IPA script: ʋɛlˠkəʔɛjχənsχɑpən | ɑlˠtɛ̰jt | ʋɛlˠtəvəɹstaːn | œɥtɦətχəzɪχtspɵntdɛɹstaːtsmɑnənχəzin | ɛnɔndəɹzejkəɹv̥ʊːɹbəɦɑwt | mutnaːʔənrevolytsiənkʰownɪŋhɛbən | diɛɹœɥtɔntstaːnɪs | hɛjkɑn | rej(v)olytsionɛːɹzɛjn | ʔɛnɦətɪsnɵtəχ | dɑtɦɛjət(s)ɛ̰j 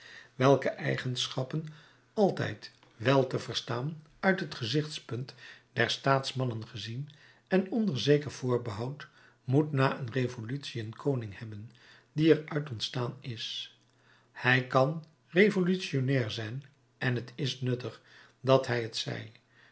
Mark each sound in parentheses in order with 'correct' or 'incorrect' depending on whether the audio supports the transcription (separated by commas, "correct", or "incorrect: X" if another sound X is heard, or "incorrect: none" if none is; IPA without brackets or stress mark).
correct, correct